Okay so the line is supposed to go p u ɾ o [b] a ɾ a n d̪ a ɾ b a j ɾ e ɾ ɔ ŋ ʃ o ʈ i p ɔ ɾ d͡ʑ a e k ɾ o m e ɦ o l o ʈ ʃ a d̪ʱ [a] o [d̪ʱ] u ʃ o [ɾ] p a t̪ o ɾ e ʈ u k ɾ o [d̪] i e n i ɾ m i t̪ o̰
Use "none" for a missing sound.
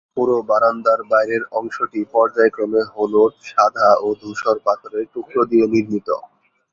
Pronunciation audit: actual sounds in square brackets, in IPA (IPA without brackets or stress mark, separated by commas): b, a, d̪ʱ, ɾ, d̪